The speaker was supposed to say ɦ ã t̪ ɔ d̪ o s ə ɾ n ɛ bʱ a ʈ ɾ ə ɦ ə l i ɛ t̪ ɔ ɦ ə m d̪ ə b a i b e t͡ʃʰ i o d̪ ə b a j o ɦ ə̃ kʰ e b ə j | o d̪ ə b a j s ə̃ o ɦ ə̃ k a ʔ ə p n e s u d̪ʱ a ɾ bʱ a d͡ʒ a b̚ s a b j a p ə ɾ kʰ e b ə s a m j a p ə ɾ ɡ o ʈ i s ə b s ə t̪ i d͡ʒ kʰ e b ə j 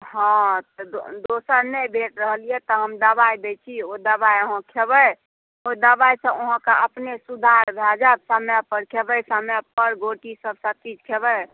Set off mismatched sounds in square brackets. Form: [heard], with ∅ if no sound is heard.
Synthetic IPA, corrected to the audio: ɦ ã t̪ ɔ d̪ o s ə ɾ n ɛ bʱ [e] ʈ ɾ ə ɦ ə l i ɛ t̪ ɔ ɦ ə m d̪ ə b a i b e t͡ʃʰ i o d̪ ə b a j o ɦ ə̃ kʰ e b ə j | o d̪ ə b a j s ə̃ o ɦ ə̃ k a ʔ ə p n e s u d̪ʱ a ɾ bʱ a d͡ʒ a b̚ s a [m] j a p ə ɾ kʰ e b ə s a m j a p ə ɾ ɡ o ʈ i s ə b s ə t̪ i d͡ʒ kʰ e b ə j